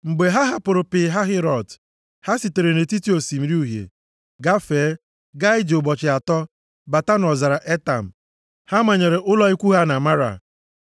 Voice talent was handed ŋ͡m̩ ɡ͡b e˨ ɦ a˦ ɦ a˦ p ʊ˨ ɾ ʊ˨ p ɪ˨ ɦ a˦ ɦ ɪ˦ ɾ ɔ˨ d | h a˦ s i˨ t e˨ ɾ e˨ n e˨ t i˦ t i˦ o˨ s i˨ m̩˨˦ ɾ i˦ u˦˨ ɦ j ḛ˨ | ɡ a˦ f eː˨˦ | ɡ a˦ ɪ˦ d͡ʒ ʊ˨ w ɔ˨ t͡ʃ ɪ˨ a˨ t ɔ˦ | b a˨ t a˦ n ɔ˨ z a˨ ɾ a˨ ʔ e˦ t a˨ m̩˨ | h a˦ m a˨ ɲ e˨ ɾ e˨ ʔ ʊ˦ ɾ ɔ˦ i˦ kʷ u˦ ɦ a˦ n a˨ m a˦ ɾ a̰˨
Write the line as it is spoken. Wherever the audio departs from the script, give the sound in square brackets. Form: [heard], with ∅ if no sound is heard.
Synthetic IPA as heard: ŋ͡m̩ ɡ͡b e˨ ɦ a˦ ɦ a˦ p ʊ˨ ɾ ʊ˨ p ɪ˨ ɦ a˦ ɦ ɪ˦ ɾ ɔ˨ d | h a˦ s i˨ t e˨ ɾ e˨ n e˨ t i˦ t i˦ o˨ s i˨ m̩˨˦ ɾ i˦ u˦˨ ɦ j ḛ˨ | ɡ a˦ f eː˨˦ | ɡ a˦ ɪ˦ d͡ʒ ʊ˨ [b] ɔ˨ t͡ʃ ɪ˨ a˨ t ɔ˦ | b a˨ t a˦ n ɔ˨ z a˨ ɾ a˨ ʔ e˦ t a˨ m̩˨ | h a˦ m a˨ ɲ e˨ ɾ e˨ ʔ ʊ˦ [l] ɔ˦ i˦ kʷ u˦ ɦ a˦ n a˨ m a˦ ɾ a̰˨